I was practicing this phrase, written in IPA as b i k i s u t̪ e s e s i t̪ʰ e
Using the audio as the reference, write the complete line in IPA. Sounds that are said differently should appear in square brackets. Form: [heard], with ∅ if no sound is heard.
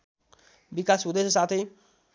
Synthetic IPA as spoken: b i k [a] s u [d̪] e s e s [a] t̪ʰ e

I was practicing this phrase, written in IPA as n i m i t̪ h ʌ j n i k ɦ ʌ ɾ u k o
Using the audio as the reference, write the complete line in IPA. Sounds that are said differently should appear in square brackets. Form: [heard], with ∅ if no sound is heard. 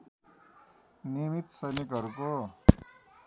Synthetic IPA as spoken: n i m i t̪ [s] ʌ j n i k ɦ ʌ ɾ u k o

